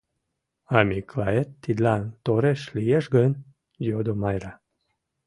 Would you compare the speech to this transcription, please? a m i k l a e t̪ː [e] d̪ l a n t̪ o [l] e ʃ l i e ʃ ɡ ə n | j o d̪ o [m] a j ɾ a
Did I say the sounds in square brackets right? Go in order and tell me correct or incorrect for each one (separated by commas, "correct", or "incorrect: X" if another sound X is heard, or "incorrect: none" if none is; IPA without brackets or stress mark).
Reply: incorrect: i, incorrect: ɾ, correct